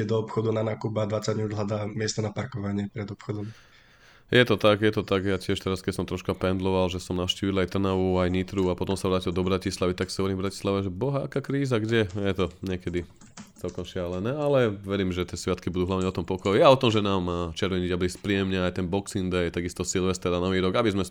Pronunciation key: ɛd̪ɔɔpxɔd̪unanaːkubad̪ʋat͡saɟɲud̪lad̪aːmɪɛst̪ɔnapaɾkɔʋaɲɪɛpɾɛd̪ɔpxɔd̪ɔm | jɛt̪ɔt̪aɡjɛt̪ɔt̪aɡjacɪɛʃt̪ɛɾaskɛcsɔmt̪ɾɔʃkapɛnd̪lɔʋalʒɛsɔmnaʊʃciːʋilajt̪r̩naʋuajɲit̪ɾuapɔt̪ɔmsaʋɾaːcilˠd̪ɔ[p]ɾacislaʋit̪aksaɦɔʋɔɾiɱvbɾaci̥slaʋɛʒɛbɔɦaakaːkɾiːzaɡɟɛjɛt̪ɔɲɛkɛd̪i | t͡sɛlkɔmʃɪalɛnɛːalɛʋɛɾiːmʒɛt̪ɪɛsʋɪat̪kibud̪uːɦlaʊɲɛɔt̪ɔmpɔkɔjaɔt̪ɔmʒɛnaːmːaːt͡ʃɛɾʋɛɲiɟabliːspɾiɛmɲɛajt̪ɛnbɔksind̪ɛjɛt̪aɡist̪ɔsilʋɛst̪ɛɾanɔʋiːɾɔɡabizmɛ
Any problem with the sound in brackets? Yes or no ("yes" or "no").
yes